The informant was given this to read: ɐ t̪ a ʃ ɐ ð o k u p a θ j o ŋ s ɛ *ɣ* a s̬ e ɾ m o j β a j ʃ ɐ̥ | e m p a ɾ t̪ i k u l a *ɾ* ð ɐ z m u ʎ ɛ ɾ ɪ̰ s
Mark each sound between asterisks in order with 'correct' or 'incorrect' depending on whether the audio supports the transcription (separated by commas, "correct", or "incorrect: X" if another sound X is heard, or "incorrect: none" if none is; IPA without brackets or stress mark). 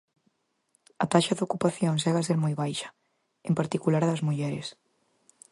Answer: correct, correct